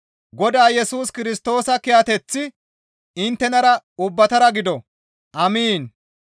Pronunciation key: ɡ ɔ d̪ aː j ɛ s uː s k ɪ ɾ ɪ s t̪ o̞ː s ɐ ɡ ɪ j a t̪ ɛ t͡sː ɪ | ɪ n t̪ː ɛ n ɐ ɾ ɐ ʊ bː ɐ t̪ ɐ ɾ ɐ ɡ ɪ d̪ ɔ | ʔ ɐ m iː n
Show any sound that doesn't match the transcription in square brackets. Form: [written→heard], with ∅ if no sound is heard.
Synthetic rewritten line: ɡ ɔ d̪ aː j ɛ s uː s k ɪ ɾ ɪ s t̪ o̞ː s ɐ [ɡ→k] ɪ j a t̪ ɛ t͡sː ɪ | ɪ n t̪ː ɛ n ɐ ɾ ɐ ʊ bː ɐ t̪ ɐ ɾ ɐ ɡ ɪ d̪ ɔ | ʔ ɐ m iː n